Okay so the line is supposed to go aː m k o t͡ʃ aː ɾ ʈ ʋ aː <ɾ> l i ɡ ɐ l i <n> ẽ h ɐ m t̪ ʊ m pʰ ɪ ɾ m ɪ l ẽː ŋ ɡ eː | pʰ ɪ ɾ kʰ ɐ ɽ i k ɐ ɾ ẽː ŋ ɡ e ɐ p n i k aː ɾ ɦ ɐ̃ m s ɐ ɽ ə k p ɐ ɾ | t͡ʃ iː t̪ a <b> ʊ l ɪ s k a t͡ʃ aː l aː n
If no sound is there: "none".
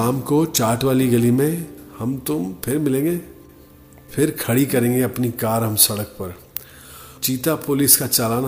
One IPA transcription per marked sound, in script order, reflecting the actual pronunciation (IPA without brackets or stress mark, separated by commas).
none, m, p